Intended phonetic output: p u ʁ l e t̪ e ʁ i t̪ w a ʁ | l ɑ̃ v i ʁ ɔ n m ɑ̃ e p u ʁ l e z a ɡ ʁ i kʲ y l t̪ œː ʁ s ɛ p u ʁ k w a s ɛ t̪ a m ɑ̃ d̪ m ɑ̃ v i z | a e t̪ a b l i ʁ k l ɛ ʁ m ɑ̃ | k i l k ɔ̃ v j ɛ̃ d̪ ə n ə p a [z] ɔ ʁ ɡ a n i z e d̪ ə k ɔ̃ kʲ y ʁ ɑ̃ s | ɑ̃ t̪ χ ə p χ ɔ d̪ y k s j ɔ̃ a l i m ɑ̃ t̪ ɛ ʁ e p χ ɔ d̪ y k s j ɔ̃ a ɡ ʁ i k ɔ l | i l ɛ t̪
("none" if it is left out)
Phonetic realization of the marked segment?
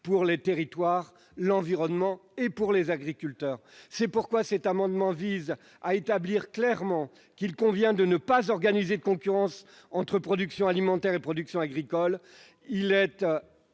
z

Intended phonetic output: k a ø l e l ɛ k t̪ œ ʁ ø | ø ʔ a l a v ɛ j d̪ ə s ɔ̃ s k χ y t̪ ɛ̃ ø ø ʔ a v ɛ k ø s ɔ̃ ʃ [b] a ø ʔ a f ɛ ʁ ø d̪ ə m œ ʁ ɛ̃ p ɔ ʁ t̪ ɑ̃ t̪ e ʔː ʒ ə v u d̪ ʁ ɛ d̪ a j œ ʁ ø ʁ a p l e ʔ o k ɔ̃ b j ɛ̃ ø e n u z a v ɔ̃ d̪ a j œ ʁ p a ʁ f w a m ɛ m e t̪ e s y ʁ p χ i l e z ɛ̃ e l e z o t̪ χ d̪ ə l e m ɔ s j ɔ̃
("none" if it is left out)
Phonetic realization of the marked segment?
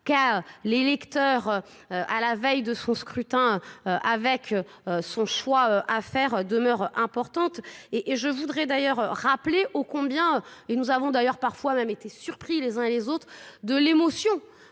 w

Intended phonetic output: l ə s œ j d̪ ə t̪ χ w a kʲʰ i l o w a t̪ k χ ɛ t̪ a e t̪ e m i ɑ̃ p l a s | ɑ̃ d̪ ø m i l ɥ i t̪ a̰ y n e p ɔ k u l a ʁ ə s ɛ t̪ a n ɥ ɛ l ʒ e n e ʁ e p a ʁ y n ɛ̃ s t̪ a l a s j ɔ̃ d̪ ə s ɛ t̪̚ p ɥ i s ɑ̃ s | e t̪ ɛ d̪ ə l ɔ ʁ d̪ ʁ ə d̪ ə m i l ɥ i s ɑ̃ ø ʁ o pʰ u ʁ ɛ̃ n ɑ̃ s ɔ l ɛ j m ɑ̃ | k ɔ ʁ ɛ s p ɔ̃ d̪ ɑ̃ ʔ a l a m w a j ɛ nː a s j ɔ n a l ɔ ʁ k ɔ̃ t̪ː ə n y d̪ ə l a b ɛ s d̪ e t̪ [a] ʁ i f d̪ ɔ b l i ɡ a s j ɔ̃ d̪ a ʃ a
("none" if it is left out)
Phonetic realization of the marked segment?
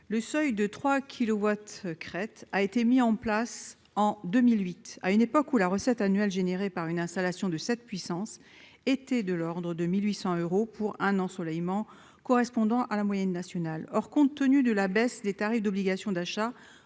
a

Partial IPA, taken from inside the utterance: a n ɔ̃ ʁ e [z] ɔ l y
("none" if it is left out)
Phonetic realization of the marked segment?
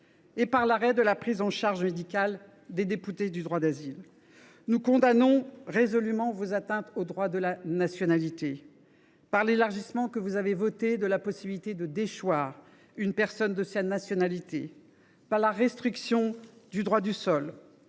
z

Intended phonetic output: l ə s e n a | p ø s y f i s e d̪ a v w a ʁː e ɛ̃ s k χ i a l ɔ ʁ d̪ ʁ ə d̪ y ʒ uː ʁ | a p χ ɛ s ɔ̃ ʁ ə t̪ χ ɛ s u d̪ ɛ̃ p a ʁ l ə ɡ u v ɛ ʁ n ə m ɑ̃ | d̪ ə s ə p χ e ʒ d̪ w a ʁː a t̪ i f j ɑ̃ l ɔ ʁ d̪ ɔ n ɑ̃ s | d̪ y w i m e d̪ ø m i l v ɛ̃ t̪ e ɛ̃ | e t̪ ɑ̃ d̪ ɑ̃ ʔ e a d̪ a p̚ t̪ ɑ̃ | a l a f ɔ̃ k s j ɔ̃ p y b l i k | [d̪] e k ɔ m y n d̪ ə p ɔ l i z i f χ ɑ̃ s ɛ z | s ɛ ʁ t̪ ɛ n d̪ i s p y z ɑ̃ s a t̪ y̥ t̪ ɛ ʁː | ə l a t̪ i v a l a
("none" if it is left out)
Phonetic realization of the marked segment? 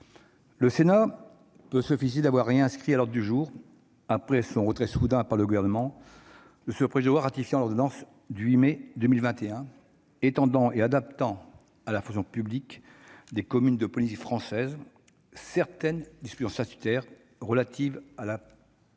d̪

